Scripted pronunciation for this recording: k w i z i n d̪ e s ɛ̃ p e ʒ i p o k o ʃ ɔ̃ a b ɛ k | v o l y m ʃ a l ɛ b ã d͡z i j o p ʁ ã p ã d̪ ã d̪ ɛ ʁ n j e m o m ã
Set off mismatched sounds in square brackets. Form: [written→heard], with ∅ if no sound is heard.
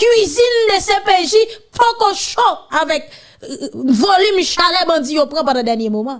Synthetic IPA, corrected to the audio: k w i z i n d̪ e s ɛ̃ p e ʒ i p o k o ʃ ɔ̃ a [b→v] ɛ k | v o l y m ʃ a l ɛ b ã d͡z i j o p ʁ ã p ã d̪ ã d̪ ɛ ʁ n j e m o m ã